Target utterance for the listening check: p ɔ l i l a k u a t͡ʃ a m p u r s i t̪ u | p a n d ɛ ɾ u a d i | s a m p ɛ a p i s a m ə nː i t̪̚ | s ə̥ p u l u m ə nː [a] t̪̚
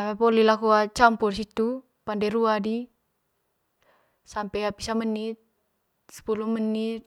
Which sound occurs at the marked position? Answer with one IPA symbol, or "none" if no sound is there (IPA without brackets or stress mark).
i